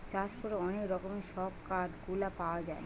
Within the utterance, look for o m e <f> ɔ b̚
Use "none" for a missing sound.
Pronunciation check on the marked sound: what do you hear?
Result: ʃ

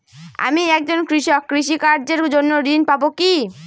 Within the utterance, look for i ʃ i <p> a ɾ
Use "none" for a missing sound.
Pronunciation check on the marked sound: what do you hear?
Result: k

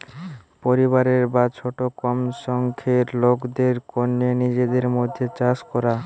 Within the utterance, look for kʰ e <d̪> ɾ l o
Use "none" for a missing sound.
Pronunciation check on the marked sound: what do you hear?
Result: none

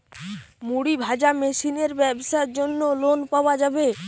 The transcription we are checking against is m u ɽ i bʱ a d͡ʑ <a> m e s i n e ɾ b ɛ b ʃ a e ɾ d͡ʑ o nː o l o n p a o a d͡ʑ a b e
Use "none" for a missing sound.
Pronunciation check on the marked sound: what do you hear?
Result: a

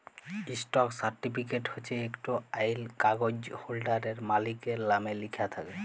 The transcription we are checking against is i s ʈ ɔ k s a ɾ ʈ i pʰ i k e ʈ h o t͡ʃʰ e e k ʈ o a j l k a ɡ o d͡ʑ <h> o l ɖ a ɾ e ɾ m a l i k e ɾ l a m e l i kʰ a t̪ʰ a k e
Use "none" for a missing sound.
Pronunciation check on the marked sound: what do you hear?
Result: h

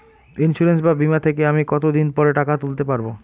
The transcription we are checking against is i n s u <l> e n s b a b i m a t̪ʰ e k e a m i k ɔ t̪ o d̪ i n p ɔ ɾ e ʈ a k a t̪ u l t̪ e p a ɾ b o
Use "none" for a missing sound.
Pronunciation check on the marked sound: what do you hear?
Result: ɾ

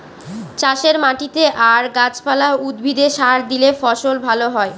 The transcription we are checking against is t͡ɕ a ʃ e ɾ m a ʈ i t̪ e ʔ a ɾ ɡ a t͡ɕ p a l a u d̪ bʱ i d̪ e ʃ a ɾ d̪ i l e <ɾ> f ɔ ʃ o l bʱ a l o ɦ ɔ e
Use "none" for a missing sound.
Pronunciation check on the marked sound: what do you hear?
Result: none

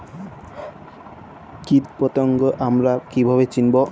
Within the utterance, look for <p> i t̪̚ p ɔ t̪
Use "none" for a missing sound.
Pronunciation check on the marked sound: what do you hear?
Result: k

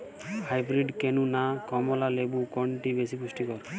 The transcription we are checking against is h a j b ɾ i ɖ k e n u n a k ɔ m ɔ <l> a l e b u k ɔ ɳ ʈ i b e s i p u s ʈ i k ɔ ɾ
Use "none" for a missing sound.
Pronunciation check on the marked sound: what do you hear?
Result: l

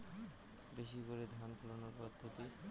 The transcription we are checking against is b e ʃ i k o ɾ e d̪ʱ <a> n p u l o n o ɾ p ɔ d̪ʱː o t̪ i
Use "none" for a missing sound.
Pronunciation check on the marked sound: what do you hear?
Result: a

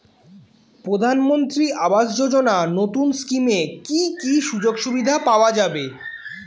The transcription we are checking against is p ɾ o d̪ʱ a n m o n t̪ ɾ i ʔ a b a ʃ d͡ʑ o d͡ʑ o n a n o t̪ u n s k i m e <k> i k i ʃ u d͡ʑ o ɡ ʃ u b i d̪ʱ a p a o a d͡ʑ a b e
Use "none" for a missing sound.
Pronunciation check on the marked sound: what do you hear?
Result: k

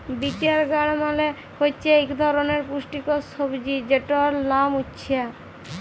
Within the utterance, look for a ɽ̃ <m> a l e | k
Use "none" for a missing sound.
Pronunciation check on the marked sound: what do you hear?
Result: m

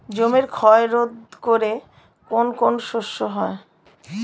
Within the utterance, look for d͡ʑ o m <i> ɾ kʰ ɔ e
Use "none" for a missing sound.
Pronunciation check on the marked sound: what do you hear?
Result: e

